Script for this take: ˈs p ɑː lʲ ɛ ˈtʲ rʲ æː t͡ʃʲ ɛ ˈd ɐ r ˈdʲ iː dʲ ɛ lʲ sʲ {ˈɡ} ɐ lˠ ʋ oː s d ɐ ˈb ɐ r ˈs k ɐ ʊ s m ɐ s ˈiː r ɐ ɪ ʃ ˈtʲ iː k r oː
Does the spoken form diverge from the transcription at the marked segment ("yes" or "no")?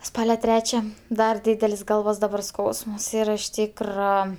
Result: no